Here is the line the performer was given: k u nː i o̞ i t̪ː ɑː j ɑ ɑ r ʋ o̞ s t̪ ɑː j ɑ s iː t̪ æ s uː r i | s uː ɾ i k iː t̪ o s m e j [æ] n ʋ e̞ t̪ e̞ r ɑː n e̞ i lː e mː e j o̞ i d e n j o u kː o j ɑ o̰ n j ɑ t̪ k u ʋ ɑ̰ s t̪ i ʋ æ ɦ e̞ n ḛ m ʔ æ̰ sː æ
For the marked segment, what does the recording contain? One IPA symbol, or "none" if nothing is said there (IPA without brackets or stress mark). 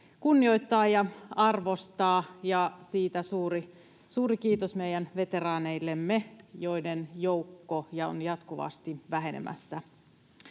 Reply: æ